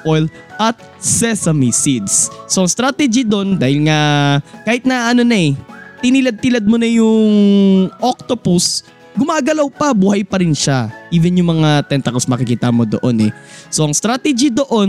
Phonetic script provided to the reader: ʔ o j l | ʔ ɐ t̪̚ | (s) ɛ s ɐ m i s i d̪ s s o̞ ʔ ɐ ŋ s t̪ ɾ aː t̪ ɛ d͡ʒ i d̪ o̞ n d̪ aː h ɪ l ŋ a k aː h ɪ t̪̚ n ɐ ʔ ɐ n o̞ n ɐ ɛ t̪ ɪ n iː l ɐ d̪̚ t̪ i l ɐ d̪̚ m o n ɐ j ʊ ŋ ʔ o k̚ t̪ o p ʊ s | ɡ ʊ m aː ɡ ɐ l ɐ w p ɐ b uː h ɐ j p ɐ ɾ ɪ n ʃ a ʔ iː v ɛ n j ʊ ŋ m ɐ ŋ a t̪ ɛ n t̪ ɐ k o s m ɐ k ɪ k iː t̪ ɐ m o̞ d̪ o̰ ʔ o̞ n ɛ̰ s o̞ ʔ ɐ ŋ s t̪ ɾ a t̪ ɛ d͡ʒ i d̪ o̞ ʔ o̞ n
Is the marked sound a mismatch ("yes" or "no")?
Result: no